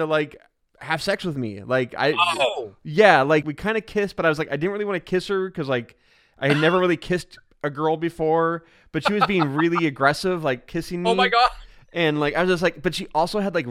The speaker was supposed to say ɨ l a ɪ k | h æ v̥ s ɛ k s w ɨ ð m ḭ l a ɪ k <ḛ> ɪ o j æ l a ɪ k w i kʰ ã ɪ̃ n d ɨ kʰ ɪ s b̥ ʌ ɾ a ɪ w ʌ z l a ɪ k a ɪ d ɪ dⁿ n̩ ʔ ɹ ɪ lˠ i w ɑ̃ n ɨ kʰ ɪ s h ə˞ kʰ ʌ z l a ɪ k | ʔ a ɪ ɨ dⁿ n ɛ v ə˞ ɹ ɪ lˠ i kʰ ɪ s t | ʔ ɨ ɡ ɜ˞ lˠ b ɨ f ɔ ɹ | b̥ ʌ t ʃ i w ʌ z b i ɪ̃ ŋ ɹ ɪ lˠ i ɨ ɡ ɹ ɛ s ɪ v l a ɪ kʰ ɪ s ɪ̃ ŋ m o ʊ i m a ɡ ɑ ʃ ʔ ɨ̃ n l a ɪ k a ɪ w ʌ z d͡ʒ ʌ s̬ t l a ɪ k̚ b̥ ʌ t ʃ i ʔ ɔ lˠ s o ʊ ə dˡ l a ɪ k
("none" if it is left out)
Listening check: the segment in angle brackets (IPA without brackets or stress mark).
a̰